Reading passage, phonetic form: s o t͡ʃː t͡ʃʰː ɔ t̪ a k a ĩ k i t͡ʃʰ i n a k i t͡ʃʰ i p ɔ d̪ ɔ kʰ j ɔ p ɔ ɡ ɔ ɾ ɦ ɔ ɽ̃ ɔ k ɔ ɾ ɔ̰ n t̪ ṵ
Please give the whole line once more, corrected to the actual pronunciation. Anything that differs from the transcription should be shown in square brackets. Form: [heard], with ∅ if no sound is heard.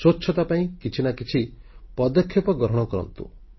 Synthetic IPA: s o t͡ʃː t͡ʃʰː ɔ t̪ a [p] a ĩ k i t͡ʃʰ i n a k i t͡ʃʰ i p ɔ d̪ ɔ kʰ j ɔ p ɔ ɡ ɔ ɾ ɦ ɔ ɽ̃ ɔ k ɔ ɾ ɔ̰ n t̪ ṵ